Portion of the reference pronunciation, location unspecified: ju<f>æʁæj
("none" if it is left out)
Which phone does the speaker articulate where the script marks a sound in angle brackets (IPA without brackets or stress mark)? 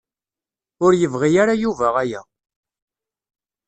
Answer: v